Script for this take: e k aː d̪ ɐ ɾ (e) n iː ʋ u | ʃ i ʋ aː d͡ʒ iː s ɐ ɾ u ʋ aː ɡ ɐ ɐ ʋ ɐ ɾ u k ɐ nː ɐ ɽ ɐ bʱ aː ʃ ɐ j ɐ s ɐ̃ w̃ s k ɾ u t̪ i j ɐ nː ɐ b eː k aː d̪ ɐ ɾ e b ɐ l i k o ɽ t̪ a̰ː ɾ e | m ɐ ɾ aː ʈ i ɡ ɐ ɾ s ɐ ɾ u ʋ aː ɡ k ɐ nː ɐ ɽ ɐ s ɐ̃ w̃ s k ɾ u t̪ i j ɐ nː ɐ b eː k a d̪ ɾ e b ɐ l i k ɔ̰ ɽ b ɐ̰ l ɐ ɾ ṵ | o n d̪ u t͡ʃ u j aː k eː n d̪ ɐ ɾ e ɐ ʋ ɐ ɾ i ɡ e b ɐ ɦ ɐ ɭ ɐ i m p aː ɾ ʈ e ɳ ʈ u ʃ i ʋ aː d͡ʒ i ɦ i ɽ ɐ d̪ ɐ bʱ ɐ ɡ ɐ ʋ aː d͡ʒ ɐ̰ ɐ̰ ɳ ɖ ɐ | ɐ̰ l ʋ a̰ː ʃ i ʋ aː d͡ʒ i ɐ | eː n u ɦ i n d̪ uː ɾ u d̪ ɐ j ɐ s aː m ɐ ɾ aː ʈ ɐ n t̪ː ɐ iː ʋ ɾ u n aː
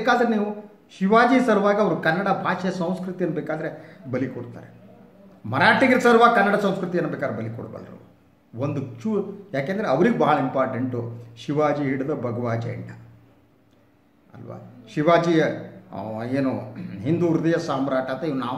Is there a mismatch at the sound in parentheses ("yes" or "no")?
no